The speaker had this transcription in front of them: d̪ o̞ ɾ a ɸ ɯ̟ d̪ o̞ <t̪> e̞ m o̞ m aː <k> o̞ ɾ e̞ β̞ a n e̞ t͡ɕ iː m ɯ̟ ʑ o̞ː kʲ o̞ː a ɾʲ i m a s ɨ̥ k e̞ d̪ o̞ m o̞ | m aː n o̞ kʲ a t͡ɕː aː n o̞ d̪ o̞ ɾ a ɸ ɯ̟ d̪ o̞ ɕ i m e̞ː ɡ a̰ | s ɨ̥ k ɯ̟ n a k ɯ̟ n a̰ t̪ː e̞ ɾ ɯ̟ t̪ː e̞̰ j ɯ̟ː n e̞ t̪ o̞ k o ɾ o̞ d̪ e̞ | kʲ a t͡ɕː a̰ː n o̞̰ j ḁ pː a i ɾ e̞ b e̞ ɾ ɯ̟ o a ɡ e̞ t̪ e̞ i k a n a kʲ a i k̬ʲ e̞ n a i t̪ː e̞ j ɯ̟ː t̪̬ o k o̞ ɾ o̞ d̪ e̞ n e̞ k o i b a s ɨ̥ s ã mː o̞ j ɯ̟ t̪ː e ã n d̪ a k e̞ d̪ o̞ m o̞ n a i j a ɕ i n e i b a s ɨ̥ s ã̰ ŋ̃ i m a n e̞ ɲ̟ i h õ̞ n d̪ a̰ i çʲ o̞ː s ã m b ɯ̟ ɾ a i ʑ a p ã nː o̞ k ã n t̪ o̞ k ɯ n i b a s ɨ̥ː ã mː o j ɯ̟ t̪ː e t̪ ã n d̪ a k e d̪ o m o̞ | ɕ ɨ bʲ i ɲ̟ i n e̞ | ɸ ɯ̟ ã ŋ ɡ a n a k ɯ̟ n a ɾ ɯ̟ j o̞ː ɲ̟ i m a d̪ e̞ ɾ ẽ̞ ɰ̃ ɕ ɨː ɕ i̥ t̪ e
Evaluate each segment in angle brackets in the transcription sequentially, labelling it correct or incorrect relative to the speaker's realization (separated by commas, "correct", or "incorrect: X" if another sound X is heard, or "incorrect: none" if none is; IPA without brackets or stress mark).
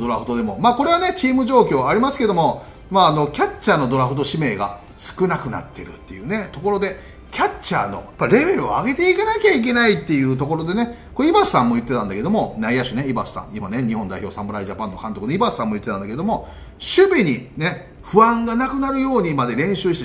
incorrect: d̪, correct